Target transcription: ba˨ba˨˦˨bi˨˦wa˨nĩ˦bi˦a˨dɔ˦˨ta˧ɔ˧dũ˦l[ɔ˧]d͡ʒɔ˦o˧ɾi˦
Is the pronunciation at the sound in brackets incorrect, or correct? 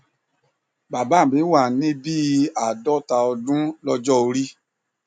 correct